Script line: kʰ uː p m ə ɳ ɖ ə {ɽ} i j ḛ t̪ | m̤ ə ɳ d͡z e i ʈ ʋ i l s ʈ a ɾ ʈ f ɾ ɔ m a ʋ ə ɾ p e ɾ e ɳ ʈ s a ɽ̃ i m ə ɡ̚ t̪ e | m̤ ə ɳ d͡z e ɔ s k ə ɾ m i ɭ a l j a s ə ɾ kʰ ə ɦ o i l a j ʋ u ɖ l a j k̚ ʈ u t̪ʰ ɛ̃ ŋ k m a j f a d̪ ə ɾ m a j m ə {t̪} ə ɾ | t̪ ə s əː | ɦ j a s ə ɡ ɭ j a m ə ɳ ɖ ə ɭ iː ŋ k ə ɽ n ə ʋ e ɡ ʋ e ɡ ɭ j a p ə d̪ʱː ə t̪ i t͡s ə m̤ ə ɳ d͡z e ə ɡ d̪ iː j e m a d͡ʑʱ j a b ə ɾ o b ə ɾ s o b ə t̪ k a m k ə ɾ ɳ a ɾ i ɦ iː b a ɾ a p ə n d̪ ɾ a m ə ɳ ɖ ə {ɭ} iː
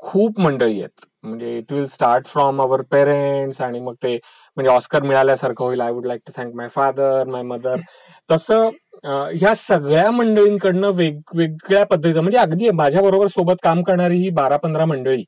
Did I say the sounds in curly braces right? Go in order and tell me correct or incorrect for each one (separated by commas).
incorrect, incorrect, correct